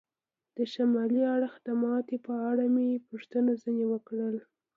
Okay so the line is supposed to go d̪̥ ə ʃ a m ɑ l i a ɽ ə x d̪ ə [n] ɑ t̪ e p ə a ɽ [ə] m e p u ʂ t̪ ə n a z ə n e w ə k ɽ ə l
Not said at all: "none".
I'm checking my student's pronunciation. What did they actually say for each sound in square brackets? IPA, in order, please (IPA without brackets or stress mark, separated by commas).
m, a